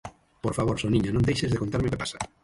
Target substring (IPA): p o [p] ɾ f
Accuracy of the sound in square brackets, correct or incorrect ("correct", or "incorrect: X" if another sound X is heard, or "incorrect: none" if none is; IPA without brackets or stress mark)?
incorrect: none